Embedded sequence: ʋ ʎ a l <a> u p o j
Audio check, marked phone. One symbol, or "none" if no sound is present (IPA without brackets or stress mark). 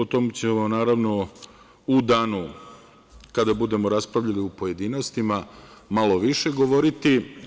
i